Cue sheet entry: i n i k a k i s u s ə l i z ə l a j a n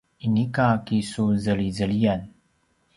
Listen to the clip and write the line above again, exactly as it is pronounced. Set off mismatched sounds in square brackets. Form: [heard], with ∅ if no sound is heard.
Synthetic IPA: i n i k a k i s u [z] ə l i z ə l [i] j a n